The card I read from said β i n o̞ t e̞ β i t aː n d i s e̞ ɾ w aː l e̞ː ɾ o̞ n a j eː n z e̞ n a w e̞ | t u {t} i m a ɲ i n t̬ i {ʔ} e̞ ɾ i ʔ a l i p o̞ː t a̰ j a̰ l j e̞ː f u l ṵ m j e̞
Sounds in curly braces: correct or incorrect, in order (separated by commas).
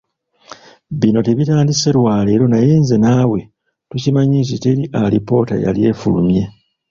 incorrect, incorrect